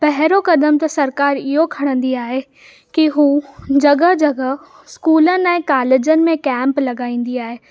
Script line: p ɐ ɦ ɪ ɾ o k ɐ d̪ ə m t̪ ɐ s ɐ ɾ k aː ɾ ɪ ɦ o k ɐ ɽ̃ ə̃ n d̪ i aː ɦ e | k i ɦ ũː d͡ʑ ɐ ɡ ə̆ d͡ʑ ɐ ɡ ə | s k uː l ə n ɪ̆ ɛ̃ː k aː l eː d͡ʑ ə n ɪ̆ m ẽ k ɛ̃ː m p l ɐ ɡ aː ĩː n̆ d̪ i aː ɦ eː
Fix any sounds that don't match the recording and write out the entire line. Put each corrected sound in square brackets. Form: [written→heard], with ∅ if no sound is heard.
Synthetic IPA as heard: p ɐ ɦ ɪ ɾ o k ɐ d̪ ə m t̪ ɐ s ɐ ɾ k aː ɾ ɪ ɦ o [k→kʰ] ɐ ɽ̃ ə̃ n d̪ i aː ɦ e | k i ɦ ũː d͡ʑ ɐ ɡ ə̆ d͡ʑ ɐ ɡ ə | s k uː l ə n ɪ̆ ɛ̃ː k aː l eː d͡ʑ ə n ɪ̆ m ẽ k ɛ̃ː m p l ɐ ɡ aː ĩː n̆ d̪ i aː ɦ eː